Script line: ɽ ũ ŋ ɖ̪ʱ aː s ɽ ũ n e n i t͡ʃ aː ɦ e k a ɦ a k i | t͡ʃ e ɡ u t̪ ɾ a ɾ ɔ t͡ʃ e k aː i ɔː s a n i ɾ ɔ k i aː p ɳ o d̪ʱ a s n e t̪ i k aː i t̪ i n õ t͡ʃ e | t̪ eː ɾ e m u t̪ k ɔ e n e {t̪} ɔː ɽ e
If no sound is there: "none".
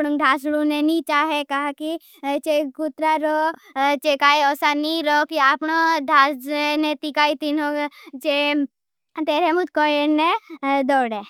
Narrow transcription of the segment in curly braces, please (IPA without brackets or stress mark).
d̪